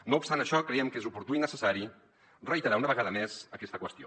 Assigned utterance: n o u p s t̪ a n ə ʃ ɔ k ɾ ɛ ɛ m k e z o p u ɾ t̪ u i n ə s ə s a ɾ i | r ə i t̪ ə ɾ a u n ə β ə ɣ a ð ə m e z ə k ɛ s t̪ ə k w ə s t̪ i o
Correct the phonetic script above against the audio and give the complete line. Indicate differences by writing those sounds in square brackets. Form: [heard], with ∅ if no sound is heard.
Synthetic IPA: n o u p s t̪ a n ə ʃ ɔ k ɾ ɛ ɛ m k e z [u] p u ɾ t̪ u i n ə s ə s a ɾ i | r ə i t̪ ə ɾ a u n ə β ə ɣ a ð ə m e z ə k ɛ s t̪ ə k w ə s t̪ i o